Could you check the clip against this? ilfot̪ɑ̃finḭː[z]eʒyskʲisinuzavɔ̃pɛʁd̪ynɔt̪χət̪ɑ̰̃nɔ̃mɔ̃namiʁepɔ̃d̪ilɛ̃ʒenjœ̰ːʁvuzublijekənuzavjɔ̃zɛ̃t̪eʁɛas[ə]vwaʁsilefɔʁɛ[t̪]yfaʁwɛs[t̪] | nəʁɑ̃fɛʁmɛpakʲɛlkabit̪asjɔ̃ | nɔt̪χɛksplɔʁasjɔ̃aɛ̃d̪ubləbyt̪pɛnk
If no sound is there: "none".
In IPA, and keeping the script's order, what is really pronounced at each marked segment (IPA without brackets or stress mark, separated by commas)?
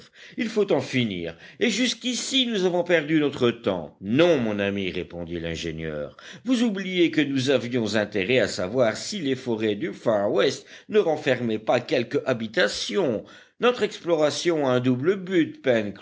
ʁ, a, d̪, t̪